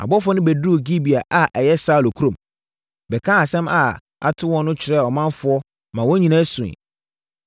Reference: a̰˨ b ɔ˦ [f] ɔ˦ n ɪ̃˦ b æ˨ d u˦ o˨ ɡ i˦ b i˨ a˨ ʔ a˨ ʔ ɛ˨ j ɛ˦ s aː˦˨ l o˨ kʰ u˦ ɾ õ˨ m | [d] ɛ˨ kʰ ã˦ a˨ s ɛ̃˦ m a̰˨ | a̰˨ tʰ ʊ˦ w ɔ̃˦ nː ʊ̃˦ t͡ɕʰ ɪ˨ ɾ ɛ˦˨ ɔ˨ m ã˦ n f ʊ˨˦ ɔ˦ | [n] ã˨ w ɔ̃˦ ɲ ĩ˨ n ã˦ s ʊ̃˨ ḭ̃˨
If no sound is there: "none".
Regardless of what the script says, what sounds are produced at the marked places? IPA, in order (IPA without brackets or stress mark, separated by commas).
f, b, m